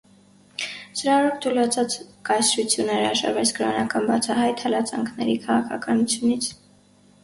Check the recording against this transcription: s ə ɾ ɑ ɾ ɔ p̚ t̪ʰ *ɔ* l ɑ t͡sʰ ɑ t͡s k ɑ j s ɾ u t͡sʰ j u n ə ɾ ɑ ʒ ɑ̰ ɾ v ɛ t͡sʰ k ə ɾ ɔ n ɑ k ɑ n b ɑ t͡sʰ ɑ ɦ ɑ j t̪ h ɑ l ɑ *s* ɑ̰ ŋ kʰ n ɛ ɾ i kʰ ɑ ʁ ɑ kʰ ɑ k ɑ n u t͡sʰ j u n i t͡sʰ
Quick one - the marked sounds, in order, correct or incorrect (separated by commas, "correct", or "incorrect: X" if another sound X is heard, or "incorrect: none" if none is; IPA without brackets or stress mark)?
incorrect: u, incorrect: t͡s